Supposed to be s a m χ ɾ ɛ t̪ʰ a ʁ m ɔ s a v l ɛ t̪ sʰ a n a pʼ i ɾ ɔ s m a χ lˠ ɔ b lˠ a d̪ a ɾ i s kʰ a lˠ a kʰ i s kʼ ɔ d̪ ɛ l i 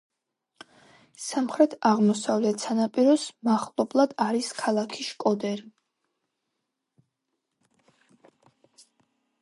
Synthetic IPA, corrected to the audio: s a m χ ɾ ɛ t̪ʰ a ʁ m ɔ s a v l ɛ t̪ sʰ a n a pʼ i ɾ ɔ s m a χ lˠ ɔ b lˠ a d̪ a ɾ i s kʰ a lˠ a kʰ i ʃ kʼ ɔ d̪ ɛ ɾ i